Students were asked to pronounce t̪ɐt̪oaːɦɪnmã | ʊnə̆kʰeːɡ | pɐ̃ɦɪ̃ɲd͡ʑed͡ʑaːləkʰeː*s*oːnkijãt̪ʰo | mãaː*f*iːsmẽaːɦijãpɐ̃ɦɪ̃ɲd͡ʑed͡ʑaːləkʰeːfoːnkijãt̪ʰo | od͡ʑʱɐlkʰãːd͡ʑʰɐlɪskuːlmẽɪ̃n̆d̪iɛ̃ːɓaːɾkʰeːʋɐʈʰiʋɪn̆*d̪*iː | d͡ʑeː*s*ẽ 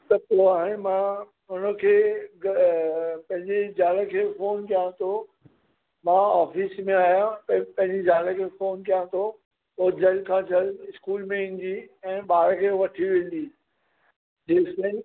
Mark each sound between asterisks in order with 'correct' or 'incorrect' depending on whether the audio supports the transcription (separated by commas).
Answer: incorrect, correct, correct, correct